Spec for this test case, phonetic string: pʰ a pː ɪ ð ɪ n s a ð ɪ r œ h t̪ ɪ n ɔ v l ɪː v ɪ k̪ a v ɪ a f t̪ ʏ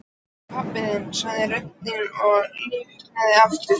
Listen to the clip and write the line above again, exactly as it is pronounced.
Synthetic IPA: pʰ a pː ɪ ð ɪ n s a ð ɪ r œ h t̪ ɪ n ɔ ɣ l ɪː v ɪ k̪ a ð ɪ a f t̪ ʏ